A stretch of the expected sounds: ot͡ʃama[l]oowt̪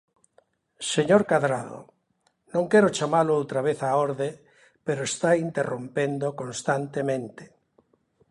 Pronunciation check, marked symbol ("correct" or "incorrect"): correct